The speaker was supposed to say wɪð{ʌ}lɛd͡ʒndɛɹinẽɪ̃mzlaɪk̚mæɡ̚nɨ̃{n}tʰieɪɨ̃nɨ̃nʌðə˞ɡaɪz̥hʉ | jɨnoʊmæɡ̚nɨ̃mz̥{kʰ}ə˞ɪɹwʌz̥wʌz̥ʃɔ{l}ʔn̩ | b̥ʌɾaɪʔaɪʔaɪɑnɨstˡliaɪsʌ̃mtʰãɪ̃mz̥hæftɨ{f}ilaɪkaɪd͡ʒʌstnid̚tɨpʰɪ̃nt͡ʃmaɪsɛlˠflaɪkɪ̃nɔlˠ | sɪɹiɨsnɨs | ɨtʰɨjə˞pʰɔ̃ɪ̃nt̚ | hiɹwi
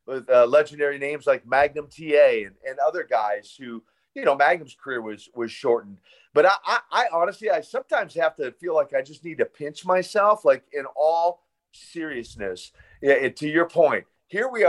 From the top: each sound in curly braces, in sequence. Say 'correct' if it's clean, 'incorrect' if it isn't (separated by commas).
correct, incorrect, correct, incorrect, correct